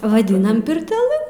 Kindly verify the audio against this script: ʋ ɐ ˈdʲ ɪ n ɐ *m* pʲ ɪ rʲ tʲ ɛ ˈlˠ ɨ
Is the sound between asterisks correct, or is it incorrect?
correct